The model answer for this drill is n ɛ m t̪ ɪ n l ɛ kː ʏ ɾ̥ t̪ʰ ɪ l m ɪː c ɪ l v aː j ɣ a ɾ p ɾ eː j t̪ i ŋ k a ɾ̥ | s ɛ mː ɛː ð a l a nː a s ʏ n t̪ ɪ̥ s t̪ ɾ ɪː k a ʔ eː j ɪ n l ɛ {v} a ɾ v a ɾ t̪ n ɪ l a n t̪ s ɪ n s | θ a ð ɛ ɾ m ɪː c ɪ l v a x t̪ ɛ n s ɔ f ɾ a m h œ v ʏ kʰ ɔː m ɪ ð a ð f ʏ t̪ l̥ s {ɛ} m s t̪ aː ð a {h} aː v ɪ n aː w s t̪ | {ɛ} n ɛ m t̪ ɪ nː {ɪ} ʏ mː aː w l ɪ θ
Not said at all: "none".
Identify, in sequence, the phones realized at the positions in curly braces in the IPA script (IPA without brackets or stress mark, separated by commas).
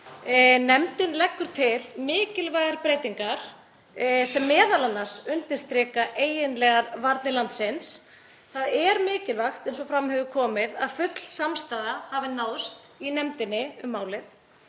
ɣ, a, h, i, ɪ